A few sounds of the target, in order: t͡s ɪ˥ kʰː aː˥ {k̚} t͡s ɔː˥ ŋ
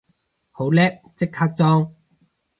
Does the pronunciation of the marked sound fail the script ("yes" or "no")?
no